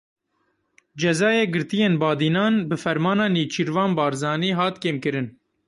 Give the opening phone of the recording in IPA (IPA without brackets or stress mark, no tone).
d͡ʒ